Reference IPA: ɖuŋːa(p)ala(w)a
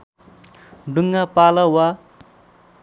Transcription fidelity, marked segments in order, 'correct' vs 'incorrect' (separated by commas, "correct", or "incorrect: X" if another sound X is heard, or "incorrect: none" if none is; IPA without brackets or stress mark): correct, correct